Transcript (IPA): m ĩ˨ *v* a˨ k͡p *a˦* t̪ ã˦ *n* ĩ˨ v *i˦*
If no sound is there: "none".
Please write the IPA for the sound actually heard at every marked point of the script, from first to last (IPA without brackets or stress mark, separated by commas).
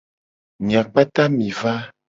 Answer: none, a˦, m, a˦